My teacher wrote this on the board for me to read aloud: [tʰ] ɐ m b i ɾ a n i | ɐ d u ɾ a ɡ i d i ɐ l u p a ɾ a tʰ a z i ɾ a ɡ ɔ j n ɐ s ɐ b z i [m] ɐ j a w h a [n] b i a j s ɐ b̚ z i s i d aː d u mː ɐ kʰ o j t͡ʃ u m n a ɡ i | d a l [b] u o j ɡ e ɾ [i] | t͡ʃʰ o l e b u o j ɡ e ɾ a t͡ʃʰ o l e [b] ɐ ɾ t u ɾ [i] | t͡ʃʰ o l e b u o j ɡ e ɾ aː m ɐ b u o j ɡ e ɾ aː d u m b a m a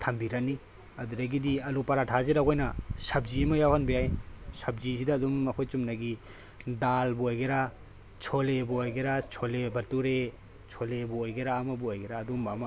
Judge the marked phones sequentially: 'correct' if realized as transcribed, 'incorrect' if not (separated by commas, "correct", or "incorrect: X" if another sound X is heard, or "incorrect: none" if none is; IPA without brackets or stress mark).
correct, correct, correct, correct, incorrect: a, correct, incorrect: e